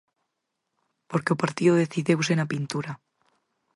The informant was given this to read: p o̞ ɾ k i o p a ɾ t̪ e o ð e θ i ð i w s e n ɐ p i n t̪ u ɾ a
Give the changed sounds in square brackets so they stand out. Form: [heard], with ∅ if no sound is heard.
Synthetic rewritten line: p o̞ ɾ k [e] o p a ɾ t̪ [i] o ð e θ i ð [e] w s e n [a] p i n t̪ u ɾ a